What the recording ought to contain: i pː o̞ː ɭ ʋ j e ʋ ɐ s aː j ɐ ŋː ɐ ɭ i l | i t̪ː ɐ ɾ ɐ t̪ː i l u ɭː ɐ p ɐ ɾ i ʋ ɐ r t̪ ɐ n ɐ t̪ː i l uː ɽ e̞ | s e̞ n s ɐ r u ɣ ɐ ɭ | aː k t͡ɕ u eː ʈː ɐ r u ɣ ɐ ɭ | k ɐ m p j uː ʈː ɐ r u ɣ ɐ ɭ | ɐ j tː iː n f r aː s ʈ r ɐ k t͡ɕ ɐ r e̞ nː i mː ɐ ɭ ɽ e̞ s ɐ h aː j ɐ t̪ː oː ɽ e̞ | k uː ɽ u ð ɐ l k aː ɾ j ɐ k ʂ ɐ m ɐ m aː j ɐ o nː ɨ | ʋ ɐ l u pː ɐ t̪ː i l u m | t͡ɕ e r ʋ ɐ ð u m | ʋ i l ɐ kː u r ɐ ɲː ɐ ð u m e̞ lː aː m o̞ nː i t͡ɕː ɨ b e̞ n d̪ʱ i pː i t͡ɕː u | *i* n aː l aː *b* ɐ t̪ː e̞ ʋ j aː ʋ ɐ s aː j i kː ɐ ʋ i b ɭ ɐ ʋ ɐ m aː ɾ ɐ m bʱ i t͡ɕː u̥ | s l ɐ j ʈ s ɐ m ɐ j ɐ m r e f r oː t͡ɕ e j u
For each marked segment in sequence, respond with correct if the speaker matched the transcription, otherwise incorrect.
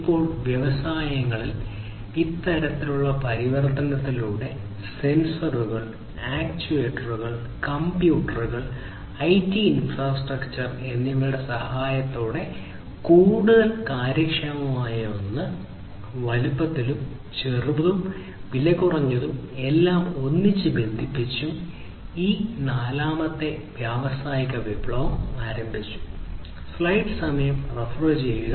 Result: incorrect, incorrect

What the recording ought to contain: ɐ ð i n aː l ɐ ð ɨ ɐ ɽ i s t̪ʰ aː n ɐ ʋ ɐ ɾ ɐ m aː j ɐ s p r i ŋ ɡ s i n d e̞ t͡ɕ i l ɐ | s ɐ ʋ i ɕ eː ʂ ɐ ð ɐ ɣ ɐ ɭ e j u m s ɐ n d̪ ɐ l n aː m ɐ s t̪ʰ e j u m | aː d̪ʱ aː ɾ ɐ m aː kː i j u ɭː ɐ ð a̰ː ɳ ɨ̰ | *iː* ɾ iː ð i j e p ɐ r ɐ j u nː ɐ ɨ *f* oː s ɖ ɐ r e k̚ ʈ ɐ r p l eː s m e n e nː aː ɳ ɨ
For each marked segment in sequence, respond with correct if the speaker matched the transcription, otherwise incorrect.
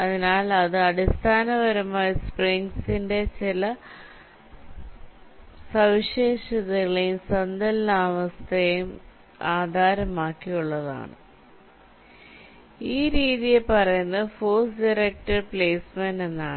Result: correct, correct

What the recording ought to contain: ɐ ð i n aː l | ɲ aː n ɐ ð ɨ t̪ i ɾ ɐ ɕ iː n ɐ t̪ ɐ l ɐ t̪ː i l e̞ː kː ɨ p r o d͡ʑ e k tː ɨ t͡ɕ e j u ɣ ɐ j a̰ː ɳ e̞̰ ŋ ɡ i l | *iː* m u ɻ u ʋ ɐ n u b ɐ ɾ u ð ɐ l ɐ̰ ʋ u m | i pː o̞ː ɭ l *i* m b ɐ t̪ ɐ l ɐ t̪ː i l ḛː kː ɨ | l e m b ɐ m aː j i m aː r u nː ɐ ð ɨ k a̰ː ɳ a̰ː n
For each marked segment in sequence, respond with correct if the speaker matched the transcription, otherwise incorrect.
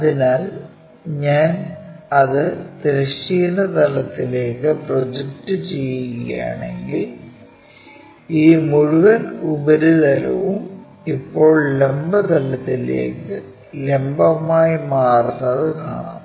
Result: correct, incorrect

